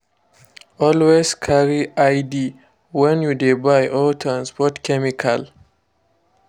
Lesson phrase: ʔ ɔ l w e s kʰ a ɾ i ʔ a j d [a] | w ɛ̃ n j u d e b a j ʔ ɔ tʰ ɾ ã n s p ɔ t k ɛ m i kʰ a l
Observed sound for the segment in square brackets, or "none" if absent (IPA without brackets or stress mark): i